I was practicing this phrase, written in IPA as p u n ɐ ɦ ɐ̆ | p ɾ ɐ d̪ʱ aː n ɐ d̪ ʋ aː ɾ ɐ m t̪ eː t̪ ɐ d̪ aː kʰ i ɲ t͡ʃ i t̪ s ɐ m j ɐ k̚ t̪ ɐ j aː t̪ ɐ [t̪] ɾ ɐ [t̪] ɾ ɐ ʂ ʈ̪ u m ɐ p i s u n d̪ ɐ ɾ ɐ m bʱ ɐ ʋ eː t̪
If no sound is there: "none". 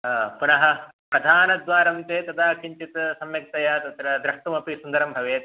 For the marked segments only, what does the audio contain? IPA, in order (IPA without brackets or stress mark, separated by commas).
t̪, d̪